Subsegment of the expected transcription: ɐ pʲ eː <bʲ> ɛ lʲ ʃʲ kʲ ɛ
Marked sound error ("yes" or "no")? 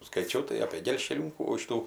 yes